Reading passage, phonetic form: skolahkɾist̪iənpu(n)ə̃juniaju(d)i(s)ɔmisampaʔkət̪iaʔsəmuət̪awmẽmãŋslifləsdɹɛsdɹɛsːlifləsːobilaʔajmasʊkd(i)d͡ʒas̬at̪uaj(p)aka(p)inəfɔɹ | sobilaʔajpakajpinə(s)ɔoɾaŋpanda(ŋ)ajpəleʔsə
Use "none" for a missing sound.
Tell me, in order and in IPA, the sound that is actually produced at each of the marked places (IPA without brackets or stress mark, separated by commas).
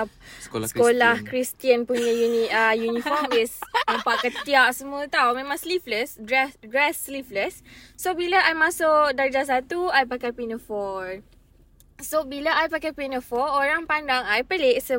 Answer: ɲ, n, f, a, p, p, f, ŋ